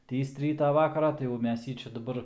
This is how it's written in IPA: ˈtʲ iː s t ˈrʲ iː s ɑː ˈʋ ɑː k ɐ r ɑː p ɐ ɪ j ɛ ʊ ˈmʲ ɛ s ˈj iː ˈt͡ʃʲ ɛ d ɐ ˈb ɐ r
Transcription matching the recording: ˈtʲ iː s t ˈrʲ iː t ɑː ˈʋ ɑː k ɐ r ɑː t ɐ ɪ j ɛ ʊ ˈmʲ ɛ s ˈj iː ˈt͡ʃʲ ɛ d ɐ ˈb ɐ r